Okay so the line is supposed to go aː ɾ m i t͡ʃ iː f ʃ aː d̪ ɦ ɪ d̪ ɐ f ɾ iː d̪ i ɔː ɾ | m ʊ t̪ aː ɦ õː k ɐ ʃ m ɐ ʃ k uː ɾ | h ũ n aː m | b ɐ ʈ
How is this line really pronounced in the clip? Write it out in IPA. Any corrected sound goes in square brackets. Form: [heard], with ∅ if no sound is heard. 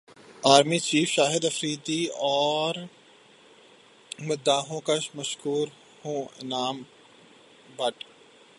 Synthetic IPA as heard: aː ɾ m i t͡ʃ iː f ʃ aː [∅] ɦ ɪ d̪ ɐ f ɾ iː d̪ i ɔː ɾ | m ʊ [d̪] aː ɦ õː k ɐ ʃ m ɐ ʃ k uː ɾ | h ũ n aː m | b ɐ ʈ